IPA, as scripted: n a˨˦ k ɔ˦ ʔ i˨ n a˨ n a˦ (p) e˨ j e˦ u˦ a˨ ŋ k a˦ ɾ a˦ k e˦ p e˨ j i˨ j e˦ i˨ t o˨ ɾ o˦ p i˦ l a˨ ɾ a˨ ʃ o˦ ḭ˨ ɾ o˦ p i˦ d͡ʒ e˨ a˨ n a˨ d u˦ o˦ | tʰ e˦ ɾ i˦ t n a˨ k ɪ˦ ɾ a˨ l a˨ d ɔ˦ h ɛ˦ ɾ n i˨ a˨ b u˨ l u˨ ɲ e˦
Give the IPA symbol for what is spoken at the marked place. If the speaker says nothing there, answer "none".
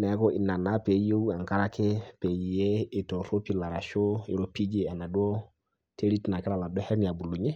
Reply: p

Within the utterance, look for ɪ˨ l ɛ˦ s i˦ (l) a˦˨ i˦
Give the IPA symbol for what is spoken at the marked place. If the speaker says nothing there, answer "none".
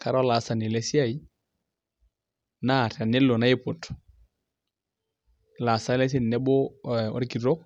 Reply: none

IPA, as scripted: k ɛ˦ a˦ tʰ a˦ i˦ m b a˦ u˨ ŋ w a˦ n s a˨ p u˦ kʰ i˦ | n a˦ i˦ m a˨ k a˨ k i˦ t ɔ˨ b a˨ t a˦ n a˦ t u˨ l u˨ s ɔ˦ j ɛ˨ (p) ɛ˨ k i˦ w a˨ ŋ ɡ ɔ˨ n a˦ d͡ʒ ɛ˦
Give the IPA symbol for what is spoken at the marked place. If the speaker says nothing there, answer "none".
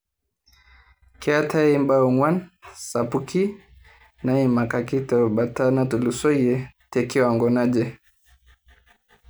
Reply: t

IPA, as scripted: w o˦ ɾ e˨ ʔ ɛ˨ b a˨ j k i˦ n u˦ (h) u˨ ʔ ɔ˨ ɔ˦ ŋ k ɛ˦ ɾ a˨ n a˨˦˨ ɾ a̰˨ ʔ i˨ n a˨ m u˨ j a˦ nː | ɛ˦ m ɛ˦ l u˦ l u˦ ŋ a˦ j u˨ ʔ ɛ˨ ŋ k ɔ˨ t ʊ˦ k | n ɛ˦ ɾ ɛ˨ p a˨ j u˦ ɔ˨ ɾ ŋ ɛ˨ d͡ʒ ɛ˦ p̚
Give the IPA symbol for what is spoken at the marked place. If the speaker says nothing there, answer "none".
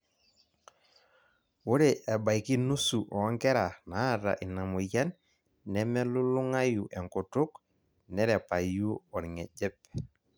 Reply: s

